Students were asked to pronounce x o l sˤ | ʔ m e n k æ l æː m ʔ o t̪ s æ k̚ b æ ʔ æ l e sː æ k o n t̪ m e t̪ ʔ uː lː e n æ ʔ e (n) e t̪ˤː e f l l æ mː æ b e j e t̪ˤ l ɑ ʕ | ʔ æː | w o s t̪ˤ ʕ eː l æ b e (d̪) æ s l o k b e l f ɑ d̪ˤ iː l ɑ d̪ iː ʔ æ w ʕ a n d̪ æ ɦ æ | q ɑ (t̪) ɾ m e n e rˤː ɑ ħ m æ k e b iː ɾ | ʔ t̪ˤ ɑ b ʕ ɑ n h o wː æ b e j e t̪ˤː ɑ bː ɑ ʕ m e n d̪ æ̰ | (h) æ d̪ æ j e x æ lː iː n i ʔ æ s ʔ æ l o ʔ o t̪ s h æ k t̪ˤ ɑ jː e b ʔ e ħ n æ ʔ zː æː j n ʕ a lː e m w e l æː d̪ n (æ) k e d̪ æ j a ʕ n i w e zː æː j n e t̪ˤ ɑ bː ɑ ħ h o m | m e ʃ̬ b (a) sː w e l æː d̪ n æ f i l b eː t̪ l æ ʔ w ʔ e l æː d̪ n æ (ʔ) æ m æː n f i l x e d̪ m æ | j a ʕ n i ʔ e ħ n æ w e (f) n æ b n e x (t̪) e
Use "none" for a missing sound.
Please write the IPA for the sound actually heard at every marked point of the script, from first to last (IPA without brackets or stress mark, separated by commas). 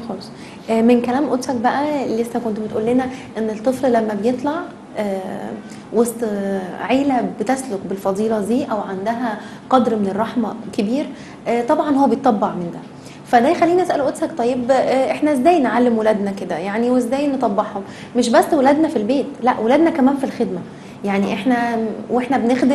nː, t̪, d̪, f, æ, æ, k, ħ, d̪